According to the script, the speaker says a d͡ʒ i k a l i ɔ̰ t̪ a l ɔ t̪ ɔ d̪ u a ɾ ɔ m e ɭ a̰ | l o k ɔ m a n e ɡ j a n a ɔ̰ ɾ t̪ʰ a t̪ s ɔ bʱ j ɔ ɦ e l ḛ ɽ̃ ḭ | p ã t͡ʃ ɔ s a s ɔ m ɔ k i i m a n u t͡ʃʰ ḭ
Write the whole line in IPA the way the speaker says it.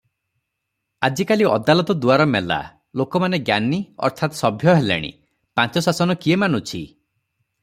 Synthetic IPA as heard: a d͡ʒ i k a l i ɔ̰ d̪ a l ɔ t̪ ɔ d̪ u a ɾ ɔ m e l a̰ | l o k ɔ m a n e ɡ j a n i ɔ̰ ɾ t̪ʰ a t̪ s ɔ bʱ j ɔ ɦ e l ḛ ɽ̃ ḭ | p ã t͡ʃ ɔ s a s ɔ n ɔ k i e m a n u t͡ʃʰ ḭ